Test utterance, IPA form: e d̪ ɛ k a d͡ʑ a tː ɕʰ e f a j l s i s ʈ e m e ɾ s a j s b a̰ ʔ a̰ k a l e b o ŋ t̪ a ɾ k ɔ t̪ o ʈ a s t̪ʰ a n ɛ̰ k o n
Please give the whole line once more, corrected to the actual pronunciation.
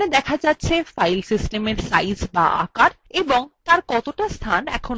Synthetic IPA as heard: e d̪ ɛ kʰ a d͡ʑ a tː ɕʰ e f a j l s i s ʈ e m e ɾ s a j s b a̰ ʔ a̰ k a ɾ e b o ŋ t̪ a ɾ k ɔ t̪ o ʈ a s t̪ʰ a n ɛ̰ kʰ o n